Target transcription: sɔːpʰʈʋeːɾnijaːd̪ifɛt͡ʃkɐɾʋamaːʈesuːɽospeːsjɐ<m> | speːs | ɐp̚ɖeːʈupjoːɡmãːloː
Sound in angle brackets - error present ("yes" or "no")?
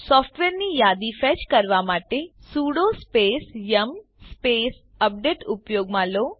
no